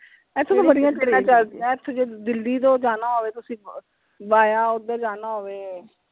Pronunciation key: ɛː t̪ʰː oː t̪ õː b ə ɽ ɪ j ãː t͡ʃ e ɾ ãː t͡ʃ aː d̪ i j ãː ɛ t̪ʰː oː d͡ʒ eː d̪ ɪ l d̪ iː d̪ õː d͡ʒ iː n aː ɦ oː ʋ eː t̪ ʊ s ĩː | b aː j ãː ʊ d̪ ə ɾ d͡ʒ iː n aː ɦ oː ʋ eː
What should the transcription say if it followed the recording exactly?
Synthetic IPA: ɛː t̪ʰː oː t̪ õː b ə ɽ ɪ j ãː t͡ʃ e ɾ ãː t͡ʃ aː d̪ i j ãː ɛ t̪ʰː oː d͡ʒ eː d̪ ɪ l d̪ iː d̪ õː d͡ʒ aː n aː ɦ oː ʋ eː t̪ ʊ s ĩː | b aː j aː ʊ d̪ ə ɾ d͡ʒ aː n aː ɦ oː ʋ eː